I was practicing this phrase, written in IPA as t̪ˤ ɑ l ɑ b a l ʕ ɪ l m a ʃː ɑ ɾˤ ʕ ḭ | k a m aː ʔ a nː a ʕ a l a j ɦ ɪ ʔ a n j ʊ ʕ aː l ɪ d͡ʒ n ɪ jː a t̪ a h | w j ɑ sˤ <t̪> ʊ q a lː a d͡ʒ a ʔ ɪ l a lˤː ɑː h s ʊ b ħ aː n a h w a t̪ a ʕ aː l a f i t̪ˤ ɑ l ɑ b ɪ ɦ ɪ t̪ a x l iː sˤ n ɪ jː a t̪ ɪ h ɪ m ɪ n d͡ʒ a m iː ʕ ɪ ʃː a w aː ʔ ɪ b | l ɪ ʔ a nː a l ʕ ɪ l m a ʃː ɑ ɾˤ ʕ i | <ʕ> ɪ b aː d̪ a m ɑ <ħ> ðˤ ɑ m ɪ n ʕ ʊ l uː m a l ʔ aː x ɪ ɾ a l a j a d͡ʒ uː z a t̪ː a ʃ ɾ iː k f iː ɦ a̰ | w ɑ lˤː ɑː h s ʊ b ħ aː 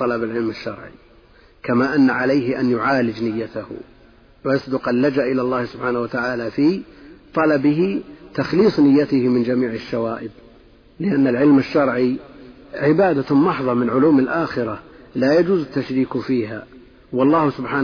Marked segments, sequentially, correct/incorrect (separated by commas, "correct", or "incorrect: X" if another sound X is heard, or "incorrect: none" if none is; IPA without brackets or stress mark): incorrect: d̪, correct, correct